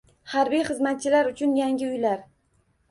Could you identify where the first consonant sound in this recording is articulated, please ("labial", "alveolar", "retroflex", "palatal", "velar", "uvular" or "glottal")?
glottal